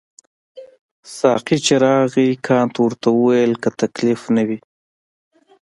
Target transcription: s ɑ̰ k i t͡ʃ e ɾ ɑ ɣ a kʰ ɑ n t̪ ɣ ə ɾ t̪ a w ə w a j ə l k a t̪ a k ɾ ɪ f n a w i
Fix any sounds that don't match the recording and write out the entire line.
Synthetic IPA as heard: s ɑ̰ q i t͡ʃ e ɾ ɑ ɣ i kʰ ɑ n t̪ w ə ɾ t̪ a w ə w a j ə l k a t̪ a k l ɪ f n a w i